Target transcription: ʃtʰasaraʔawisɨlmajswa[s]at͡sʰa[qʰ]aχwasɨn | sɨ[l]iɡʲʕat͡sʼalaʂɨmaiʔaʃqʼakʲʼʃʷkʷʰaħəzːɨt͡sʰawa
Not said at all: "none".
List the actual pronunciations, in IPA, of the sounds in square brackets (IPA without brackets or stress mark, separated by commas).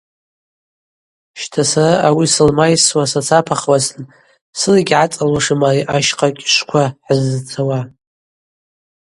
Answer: s, pʰ, l